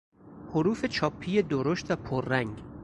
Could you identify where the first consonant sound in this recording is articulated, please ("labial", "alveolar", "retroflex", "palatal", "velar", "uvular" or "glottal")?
glottal